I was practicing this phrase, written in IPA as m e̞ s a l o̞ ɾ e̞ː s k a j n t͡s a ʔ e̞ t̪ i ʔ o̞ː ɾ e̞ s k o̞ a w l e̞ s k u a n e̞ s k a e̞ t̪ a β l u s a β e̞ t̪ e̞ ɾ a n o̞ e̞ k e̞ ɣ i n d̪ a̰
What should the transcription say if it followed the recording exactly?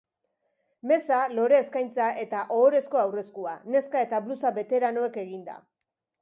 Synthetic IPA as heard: m e̞ s a l o̞ ɾ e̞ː s k a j n t͡s a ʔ e̞ t̪ a ʔ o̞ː ɾ e̞ s k o̞ a w r e̞ s k u a n e̞ s k a e̞ t̪ a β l u s a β e̞ t̪ e̞ ɾ a n o̞ e̞ k e̞ ɣ i n d̪ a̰